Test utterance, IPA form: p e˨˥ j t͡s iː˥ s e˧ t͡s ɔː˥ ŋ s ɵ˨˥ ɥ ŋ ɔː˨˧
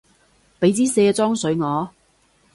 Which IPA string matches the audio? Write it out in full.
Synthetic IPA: p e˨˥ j t͡s iː˥ s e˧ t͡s ɔː˥ ŋ s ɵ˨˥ ɥ ŋ ɔː˨˧